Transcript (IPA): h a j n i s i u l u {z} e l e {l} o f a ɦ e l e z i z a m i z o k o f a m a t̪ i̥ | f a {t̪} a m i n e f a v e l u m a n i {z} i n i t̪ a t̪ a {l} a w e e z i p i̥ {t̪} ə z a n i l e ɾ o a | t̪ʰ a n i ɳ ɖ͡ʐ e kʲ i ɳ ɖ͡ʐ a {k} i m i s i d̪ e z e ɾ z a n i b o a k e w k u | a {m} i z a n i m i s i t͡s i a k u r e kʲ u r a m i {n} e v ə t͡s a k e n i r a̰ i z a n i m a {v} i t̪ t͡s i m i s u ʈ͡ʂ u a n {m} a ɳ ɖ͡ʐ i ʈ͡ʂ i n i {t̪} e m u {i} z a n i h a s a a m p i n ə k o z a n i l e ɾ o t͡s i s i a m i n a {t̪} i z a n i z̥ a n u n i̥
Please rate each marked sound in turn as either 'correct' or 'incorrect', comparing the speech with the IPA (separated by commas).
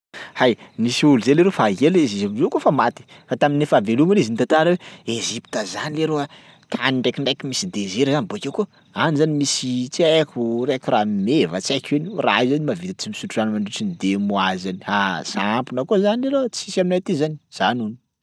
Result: correct, incorrect, correct, correct, incorrect, correct, correct, incorrect, incorrect, correct, correct, incorrect, incorrect, correct